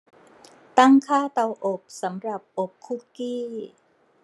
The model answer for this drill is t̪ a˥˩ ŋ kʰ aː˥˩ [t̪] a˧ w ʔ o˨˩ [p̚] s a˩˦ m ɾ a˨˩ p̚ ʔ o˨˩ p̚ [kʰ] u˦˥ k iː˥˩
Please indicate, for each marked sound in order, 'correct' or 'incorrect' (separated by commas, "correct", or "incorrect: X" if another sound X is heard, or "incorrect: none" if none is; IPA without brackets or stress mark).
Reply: correct, correct, correct